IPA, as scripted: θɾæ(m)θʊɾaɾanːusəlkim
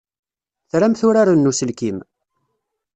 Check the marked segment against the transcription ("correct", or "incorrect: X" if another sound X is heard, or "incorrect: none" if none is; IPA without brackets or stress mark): correct